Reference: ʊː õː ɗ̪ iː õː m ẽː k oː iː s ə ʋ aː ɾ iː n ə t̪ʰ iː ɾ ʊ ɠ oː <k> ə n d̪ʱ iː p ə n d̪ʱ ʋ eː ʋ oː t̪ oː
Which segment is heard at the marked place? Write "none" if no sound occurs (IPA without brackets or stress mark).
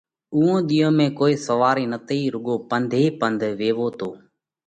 p